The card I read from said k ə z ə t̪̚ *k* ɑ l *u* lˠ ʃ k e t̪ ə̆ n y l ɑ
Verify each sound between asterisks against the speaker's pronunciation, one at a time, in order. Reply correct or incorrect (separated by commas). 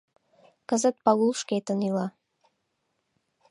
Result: incorrect, correct